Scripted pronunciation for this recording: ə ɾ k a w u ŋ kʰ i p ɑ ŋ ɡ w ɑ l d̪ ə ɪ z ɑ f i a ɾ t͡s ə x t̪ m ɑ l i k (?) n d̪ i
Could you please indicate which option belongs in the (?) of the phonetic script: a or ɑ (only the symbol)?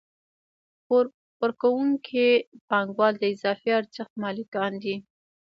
ɑ